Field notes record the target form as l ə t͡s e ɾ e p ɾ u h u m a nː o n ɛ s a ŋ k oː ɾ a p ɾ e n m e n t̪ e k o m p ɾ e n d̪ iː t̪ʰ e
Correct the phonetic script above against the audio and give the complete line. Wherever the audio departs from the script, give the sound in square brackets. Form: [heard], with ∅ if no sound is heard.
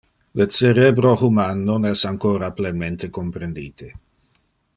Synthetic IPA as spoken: l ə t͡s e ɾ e [b] ɾ [o] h u m a nː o n ɛ s a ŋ k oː ɾ a p [l] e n m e n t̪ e k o m p ɾ e n d̪ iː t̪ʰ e